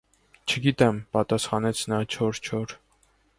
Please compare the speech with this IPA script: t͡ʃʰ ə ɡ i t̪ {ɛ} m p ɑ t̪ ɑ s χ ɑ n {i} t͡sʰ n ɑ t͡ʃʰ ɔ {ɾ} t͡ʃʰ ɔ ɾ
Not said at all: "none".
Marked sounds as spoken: ɛ, ɛ, ɾ

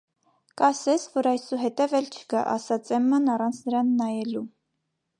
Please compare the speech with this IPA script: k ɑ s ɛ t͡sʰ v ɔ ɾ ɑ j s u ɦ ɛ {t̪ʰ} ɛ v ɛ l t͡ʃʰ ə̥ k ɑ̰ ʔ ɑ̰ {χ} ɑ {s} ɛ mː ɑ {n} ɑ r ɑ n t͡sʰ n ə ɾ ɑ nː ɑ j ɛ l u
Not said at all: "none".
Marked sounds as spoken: t̪, s, t͡s, n

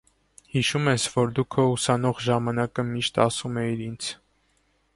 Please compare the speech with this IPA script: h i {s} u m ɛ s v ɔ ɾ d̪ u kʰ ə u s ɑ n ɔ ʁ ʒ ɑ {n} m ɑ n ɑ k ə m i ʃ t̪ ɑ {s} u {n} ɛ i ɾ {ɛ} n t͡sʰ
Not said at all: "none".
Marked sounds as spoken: ʃ, none, s, m, i

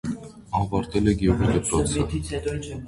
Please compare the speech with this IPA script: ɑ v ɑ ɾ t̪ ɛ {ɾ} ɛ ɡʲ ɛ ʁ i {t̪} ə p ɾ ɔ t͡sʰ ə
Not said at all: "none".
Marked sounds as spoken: l, d̪

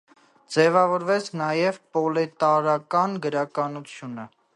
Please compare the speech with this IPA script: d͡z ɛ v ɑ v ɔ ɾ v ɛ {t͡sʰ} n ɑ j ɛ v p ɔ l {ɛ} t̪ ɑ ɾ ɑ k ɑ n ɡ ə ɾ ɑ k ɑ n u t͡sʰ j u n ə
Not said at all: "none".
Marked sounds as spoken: t͡sʰ, ɛ

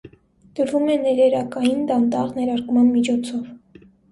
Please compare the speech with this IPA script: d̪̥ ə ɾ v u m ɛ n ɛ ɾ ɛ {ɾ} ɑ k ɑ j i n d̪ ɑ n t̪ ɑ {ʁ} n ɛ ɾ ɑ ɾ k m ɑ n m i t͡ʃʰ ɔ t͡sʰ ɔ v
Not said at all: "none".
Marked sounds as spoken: ɾ, ʁ

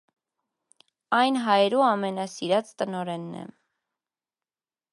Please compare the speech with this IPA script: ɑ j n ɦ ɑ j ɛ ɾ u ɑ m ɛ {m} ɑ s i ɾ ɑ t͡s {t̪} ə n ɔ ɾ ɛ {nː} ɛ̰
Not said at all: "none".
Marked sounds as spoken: n, t̪, nː

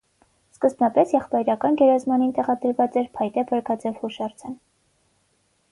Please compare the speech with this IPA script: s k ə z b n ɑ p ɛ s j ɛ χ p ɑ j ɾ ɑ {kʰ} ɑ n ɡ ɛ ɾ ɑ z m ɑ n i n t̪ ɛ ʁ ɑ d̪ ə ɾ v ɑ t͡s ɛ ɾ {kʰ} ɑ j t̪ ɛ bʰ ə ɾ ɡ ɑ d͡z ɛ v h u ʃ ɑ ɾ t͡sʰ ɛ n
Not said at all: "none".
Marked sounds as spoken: k, pʰ

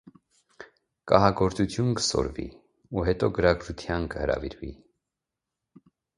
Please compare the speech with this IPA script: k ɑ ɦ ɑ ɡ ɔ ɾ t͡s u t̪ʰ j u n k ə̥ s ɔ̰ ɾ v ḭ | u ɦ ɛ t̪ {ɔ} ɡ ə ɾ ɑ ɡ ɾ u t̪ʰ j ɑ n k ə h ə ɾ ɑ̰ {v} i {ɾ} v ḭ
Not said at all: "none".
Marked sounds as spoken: ɔ, v, ɾ

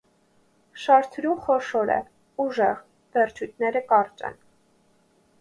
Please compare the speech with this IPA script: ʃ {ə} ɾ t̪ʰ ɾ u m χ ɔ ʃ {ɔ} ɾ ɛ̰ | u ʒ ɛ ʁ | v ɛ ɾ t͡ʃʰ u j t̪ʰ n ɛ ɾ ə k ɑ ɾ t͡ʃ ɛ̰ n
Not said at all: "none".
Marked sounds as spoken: ɑ, ɔ

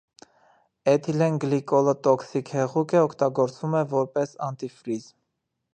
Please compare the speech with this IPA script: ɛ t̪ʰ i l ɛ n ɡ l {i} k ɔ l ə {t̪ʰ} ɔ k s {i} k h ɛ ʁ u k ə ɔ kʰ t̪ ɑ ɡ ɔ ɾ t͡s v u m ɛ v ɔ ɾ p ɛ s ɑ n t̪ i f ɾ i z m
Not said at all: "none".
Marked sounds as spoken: i, t̪, i

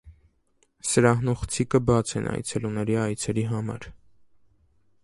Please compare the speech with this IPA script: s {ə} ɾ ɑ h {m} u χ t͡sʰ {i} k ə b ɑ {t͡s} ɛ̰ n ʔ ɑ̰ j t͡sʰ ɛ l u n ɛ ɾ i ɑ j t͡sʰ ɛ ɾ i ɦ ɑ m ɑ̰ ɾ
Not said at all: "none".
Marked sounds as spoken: ə, n, i, t͡sʰ

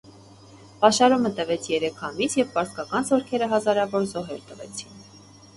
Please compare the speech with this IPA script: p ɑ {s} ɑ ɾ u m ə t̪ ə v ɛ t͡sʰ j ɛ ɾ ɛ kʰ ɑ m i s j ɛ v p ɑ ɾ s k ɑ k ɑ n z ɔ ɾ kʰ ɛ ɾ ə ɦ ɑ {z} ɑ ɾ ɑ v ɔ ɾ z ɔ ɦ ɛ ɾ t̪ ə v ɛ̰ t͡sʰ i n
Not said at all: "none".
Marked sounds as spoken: ʃ, z

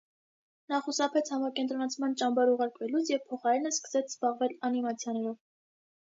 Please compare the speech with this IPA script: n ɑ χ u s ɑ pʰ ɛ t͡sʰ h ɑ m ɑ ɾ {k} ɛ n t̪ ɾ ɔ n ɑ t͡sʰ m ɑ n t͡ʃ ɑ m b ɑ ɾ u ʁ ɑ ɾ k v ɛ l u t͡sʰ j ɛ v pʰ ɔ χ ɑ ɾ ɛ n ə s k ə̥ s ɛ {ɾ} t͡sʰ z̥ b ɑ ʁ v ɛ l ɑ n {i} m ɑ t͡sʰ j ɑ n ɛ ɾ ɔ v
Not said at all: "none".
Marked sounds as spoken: k, none, i

